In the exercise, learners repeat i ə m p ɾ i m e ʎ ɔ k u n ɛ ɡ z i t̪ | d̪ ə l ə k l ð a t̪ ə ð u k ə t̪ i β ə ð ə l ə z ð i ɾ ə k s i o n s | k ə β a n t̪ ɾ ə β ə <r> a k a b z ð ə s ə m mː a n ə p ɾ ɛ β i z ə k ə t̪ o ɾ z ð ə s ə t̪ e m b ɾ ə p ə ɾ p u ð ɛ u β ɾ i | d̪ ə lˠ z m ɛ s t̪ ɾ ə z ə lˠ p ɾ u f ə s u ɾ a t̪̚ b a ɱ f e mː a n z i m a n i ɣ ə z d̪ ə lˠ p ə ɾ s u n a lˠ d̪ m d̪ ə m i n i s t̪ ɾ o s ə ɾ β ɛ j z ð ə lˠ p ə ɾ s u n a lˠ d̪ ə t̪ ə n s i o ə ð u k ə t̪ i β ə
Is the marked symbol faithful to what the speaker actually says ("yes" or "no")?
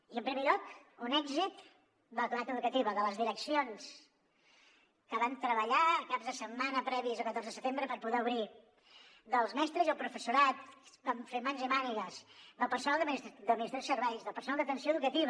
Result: no